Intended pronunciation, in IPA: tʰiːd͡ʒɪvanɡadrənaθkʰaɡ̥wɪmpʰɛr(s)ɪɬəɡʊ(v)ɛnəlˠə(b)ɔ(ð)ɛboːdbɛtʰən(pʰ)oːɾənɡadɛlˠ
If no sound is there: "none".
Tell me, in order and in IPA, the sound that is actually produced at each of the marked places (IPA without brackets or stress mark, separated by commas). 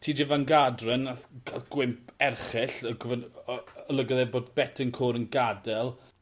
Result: χ, v, ɡ, ð, kʰ